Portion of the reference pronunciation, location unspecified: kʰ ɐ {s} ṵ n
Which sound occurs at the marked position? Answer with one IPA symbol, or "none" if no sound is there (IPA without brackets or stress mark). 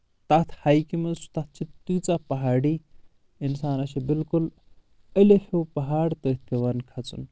t͡s